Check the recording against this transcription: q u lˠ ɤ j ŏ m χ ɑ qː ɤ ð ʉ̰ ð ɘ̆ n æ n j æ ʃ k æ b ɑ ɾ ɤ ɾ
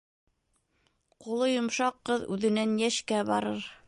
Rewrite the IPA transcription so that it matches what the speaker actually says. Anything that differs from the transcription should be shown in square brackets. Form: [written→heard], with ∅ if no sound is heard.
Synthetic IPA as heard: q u lˠ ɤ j ŏ m [χ→ʃ] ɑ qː ɤ ð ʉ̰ ð ɘ̆ n æ n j æ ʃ k æ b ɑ ɾ ɤ ɾ